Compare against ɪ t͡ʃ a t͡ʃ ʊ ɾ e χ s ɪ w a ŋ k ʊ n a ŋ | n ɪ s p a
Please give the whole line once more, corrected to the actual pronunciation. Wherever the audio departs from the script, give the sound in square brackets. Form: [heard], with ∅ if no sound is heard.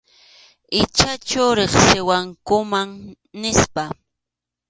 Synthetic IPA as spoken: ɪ t͡ʃ a t͡ʃ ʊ ɾ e χ s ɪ w a ŋ k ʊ [m] a ŋ | n ɪ s p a